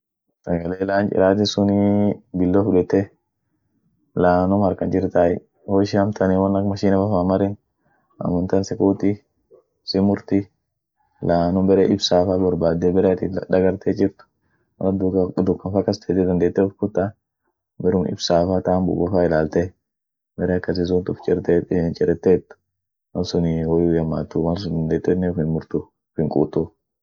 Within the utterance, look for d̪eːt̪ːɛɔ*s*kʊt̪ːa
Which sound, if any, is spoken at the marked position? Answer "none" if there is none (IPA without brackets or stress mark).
f